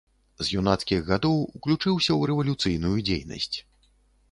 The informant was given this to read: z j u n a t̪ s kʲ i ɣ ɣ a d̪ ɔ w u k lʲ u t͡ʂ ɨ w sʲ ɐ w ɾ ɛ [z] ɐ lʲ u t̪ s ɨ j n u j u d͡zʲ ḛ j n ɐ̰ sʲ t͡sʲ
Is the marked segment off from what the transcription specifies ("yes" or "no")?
yes